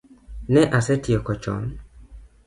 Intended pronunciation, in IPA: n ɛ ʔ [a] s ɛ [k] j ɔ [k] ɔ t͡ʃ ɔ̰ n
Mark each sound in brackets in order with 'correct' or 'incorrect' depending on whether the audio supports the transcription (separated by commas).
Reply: correct, incorrect, correct